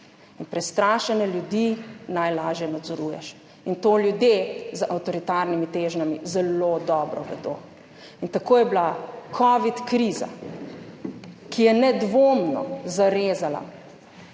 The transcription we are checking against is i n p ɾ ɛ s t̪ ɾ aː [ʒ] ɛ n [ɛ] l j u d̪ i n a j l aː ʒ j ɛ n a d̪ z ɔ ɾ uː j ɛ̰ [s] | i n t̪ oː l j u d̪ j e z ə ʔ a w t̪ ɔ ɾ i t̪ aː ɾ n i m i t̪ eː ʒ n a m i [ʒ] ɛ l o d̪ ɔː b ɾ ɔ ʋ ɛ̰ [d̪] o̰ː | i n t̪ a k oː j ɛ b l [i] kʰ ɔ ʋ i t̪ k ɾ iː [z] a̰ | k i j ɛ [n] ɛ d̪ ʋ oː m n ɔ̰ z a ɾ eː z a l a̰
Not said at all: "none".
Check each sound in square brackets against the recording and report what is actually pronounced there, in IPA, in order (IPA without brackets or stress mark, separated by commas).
ʃ, ɛ, ʃ, z, d̪, a, z, n